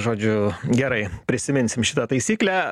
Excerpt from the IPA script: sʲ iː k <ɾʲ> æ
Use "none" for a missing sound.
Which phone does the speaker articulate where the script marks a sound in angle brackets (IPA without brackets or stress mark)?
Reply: lʲ